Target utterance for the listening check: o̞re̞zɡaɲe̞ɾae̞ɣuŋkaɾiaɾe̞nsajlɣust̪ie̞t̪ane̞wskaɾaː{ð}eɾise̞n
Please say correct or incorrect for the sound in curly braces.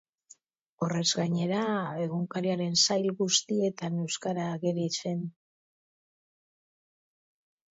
incorrect